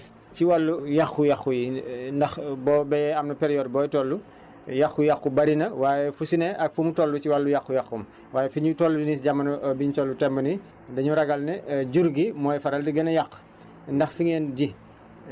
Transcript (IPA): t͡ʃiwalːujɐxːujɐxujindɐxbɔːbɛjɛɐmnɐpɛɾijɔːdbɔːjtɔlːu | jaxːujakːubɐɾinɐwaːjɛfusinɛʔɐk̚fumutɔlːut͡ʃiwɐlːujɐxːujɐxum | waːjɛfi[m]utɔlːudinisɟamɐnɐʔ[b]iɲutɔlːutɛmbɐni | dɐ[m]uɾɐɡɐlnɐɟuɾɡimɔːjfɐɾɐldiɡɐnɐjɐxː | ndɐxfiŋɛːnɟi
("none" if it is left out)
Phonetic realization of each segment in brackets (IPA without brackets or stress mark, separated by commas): ɲ, b, ɲ